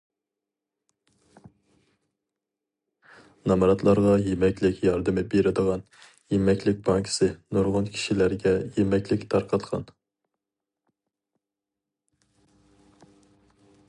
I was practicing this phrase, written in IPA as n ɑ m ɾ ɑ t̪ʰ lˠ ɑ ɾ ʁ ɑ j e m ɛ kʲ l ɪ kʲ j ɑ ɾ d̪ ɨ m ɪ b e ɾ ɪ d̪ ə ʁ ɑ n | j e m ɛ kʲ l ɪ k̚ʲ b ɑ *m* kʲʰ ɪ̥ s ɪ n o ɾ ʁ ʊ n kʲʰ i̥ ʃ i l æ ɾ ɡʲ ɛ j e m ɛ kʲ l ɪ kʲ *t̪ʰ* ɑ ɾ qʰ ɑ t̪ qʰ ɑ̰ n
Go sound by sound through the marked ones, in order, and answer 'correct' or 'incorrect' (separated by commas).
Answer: incorrect, correct